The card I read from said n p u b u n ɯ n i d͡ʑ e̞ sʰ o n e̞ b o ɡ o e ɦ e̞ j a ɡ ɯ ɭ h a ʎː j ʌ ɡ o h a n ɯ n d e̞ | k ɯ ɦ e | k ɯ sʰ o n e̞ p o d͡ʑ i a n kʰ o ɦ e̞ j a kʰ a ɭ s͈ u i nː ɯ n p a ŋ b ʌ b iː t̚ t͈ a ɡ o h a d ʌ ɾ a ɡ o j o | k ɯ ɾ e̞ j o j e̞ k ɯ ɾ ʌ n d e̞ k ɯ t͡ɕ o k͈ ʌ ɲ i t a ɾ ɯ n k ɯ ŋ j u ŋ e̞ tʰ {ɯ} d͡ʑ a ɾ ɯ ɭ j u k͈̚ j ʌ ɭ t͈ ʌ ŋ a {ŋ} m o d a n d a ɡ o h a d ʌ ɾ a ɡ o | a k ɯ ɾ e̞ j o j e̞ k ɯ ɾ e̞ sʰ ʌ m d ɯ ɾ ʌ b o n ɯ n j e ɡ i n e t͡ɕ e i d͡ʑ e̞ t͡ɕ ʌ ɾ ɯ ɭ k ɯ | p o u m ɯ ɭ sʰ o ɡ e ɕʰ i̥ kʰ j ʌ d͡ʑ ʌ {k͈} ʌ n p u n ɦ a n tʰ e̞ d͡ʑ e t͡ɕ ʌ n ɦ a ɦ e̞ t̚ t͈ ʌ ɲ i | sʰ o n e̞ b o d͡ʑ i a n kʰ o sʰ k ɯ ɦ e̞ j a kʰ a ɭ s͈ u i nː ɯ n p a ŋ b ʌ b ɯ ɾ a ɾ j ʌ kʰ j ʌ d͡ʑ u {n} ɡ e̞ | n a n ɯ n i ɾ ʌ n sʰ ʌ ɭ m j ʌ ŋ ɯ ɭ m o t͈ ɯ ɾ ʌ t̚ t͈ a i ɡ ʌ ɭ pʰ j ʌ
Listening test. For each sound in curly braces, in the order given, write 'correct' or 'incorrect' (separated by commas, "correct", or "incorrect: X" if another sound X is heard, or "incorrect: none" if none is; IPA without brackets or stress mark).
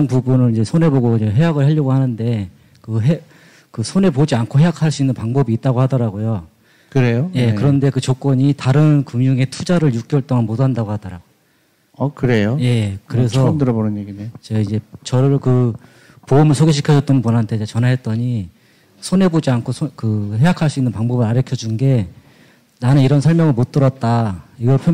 incorrect: u, incorrect: n, incorrect: t͈, correct